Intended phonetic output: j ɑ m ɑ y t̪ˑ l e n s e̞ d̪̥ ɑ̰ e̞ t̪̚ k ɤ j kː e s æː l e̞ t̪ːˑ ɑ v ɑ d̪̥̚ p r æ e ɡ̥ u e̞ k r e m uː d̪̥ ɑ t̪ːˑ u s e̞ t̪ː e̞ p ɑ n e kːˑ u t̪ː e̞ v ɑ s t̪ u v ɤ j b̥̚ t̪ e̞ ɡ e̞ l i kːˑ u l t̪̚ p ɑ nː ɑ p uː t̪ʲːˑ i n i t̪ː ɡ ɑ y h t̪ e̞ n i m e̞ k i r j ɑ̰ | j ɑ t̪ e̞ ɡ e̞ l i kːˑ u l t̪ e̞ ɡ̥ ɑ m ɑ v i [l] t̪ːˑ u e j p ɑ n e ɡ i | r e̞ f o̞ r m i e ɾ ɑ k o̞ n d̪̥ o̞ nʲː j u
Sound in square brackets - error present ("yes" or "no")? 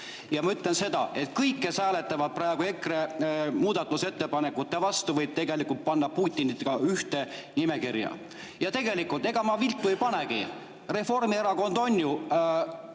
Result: no